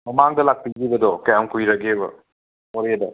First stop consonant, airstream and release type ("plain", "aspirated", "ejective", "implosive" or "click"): plain